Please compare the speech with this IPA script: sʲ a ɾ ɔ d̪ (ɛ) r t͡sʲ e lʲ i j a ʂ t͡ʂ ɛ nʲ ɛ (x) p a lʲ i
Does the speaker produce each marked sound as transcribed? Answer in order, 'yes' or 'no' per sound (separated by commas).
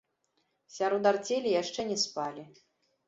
no, no